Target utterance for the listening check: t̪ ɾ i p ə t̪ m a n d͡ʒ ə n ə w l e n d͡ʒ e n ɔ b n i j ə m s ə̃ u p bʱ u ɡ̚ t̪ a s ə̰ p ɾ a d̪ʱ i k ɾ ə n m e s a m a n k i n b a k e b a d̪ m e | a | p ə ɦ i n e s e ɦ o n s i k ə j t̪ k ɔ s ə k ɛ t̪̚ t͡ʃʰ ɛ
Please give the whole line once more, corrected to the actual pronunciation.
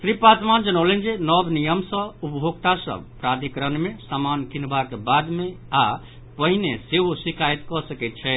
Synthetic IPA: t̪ ɾ i p a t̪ m a n d͡ʒ ə n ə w l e n d͡ʒ e n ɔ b n i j ə m s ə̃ u p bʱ o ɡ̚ t̪ a s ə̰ p ɾ a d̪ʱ i k ɾ ə n m e s a m a n k i n b a k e b a d̪ m e | a | p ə ɦ i n e s e ɦ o s i k a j t̪ k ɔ s ə k ɛ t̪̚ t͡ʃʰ ɛ